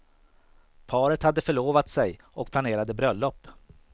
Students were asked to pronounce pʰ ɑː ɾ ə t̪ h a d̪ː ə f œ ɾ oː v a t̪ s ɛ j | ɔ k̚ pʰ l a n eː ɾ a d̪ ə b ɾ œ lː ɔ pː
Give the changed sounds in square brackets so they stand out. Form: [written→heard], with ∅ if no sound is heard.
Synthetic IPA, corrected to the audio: pʰ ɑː ɾ ə t̪ h a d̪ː ə f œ [ɾ→ɭ] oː v a t̪ s ɛ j | ɔ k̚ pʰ l a n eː ɾ a d̪ ə b ɾ œ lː ɔ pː